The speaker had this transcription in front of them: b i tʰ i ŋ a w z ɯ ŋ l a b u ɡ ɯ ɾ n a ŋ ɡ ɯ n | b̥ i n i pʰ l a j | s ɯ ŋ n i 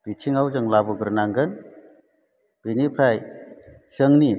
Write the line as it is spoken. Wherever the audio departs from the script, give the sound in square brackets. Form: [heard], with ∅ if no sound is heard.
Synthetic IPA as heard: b i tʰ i ŋ a w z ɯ ŋ l a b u ɡ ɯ ɾ n a ŋ ɡ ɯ n | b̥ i n i pʰ [ɾ] a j | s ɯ ŋ n i